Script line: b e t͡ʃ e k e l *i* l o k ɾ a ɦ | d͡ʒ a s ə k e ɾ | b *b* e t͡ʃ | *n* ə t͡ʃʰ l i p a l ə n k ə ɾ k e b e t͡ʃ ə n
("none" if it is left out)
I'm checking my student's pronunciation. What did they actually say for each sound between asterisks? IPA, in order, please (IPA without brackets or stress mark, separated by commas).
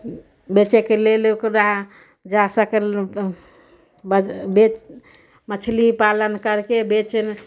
e, b, m